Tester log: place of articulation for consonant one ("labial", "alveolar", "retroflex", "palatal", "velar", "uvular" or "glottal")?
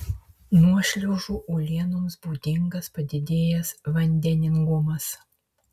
alveolar